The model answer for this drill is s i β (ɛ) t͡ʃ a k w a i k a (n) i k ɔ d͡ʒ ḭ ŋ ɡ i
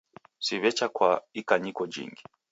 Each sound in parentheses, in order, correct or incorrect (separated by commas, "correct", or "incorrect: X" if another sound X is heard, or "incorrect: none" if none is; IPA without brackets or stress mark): correct, incorrect: ɲ